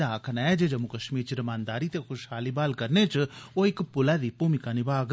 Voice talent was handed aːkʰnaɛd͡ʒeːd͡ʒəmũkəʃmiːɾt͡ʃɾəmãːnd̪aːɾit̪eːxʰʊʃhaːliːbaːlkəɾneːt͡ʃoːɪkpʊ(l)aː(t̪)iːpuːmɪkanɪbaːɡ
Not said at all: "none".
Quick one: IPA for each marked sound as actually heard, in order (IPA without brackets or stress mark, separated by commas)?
l, d̪